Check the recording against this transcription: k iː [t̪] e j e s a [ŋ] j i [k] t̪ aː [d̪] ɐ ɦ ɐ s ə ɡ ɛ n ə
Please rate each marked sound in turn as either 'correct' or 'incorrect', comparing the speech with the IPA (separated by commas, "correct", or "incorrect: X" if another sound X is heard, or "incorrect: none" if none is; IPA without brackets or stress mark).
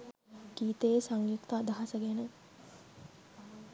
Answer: correct, correct, correct, correct